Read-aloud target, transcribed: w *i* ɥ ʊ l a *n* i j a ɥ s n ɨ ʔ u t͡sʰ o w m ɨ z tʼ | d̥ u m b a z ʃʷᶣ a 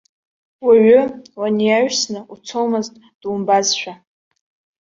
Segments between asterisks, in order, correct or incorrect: incorrect: a, correct

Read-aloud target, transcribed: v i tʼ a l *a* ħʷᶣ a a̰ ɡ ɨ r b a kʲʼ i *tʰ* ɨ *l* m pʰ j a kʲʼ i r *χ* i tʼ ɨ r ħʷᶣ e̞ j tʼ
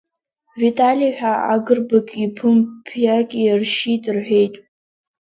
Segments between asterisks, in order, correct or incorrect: incorrect: i, incorrect: pʰ, incorrect: none, incorrect: ʃ

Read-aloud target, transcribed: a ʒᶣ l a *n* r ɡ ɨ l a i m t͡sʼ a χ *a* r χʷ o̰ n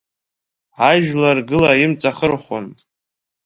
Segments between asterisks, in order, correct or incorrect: incorrect: none, incorrect: ə

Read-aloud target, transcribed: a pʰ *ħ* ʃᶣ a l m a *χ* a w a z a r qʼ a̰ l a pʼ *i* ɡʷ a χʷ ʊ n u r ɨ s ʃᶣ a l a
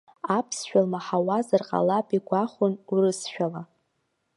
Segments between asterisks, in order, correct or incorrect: incorrect: s, incorrect: ħ, correct

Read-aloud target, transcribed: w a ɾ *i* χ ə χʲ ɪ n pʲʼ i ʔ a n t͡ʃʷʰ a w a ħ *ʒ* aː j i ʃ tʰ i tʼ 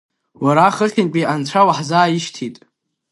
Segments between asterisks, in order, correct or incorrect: incorrect: a, incorrect: z

